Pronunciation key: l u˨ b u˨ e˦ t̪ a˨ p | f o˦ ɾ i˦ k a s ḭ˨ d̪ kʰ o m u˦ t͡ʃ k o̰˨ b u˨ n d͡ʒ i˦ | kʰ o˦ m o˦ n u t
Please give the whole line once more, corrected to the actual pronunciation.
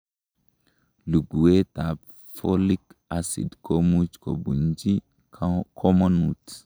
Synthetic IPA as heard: l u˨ ɡ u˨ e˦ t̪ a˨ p | f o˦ l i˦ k a s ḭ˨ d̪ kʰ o m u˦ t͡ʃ k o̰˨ b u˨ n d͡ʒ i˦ | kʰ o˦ m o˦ n u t